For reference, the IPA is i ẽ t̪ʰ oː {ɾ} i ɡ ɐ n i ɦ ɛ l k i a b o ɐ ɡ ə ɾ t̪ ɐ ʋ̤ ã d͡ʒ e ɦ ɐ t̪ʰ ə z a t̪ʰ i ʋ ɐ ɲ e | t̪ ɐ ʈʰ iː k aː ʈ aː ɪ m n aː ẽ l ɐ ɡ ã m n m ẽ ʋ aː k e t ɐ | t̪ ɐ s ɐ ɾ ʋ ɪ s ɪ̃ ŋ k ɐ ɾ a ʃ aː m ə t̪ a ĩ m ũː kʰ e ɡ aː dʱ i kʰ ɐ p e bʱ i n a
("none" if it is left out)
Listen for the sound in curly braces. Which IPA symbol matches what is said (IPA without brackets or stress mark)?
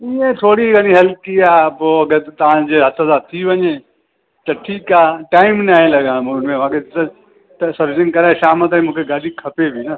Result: ɽ